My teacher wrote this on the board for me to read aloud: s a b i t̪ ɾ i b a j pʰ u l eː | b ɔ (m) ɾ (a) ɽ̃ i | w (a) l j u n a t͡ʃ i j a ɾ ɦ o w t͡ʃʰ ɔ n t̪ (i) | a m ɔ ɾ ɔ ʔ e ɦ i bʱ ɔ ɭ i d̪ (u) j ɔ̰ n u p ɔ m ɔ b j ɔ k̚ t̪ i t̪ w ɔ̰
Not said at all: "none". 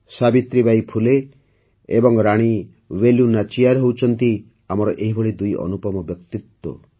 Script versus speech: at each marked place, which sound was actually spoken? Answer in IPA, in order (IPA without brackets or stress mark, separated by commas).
ŋ, a, e, i, u